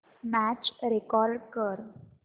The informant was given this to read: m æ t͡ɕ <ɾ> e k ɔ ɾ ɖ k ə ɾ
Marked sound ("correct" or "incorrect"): correct